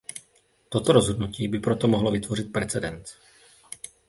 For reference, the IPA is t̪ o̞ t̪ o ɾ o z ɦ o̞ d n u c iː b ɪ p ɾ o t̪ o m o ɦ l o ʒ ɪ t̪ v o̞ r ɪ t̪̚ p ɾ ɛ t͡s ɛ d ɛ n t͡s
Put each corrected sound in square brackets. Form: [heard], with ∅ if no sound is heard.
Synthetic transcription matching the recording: t̪ o̞ t̪ o ɾ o z ɦ o̞ d n u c iː b ɪ p ɾ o t̪ o m o ɦ l o [v] ɪ t̪ v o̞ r ɪ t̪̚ p ɾ ɛ t͡s ɛ d ɛ n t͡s